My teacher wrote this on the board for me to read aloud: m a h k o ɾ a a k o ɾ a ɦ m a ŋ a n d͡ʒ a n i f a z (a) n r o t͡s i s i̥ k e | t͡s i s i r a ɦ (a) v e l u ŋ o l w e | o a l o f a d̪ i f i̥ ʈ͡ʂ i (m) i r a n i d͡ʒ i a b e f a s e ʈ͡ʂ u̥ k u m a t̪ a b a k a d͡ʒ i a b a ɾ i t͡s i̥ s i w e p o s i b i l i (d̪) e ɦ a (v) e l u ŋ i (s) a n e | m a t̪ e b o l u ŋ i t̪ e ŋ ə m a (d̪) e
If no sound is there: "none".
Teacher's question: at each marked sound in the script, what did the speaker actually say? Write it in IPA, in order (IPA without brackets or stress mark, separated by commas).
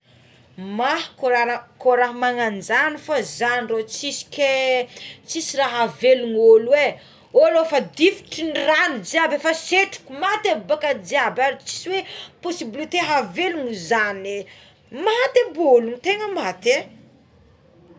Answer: a, a, n, t̪, v, z, t̪